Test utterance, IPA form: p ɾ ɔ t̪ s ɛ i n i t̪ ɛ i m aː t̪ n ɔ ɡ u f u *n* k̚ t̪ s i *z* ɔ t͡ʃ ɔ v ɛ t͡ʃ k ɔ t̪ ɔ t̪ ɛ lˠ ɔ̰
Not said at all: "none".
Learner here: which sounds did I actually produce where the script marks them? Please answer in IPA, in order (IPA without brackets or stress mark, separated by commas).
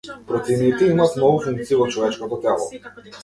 ŋ, v